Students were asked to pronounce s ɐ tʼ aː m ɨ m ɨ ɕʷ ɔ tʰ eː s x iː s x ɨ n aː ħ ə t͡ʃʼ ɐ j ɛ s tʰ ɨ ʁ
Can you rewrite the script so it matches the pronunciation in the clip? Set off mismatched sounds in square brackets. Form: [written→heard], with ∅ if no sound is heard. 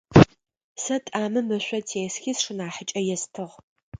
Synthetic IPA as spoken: s ɐ tʼ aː m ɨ m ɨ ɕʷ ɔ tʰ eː s x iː s [x→ʂ] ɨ n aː ħ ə t͡ʃʼ ɐ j ɛ s tʰ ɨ ʁ